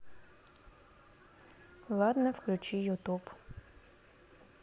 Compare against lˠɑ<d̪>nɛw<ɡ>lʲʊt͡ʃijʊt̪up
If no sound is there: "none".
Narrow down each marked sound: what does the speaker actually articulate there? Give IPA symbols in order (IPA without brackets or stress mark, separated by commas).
d̪, k